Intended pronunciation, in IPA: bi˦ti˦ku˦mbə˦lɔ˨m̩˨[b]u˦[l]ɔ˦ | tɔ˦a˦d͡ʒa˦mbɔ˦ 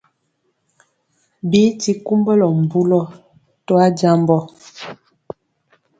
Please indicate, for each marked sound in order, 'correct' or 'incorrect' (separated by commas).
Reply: correct, correct